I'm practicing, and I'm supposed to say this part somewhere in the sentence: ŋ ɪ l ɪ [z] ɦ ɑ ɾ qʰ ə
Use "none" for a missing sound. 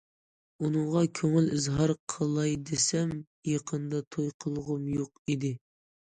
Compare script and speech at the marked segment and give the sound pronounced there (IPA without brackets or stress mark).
z